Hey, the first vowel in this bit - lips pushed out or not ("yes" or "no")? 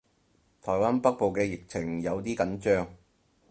yes